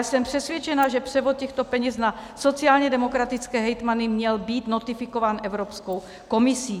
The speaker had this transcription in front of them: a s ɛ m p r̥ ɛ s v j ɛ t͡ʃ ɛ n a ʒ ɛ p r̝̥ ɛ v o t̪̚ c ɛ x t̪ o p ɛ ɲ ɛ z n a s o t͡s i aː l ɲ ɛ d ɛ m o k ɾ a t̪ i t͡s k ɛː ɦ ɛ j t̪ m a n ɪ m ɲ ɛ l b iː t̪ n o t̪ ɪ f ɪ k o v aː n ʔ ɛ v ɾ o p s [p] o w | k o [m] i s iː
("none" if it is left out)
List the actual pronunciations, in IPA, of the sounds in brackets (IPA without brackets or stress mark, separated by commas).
k, m